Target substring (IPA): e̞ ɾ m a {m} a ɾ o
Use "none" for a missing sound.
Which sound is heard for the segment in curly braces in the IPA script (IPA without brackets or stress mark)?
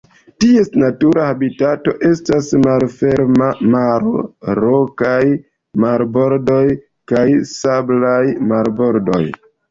m